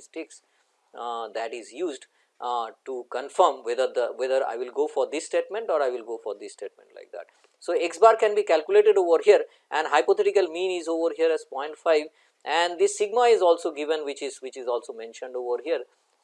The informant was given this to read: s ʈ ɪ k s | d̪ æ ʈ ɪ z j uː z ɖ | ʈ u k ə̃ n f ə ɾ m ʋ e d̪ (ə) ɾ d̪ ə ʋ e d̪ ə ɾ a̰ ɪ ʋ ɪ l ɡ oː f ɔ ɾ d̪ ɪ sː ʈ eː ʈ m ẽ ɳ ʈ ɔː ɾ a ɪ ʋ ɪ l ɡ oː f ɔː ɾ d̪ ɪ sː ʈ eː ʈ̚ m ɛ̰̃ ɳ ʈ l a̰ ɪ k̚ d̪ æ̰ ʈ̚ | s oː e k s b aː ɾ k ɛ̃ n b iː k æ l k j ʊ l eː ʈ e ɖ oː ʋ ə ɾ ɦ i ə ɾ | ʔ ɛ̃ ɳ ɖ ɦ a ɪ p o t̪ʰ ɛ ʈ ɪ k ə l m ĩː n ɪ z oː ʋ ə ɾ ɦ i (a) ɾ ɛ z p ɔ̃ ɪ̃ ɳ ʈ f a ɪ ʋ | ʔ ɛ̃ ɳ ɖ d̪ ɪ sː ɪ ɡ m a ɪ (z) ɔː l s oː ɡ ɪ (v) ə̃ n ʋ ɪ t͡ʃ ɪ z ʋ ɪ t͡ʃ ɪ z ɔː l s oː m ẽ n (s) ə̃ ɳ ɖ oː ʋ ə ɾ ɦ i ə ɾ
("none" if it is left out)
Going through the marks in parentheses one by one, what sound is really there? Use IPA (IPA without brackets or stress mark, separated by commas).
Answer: ə, ə, z, ʋ, ʃ